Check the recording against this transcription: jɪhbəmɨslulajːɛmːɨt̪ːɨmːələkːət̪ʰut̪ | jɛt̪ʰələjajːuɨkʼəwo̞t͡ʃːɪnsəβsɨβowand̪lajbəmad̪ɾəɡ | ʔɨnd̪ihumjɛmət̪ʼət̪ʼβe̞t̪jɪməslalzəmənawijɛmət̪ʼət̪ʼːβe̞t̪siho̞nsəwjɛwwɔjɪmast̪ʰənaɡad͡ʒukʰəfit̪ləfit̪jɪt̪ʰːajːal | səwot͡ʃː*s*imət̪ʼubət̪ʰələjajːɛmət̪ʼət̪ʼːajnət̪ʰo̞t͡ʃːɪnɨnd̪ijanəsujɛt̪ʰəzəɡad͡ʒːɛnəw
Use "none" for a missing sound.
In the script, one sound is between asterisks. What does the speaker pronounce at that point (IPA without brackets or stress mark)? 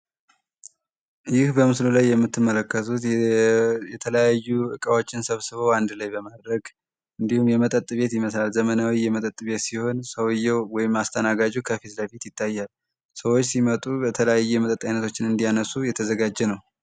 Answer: s